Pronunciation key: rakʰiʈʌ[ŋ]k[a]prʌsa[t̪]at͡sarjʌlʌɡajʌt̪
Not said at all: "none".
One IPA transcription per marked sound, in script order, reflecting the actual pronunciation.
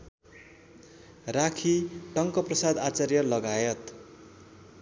ŋ, ʌ, d̪

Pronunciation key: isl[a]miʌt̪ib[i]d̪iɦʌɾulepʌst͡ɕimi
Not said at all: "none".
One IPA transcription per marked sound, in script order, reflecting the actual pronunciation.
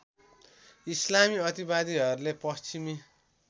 a, a

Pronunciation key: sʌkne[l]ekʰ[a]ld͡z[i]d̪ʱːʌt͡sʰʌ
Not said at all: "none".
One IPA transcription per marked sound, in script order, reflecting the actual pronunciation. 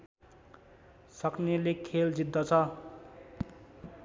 l, e, i

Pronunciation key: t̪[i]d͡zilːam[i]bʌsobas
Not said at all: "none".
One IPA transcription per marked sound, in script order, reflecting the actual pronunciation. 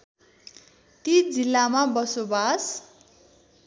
i, a

